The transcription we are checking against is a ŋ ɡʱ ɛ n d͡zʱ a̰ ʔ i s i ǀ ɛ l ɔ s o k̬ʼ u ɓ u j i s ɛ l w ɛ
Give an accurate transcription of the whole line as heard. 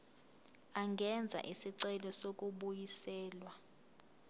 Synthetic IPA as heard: a ŋ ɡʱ ɛ n d͡zʱ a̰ ʔ i s i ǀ ɛ l ɔ s o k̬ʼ u ɓ u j i s ɛː l w a